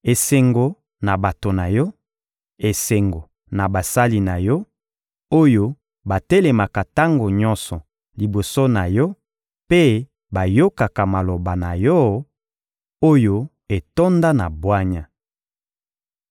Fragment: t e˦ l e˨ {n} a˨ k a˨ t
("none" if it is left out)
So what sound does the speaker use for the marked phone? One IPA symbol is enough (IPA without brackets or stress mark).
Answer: m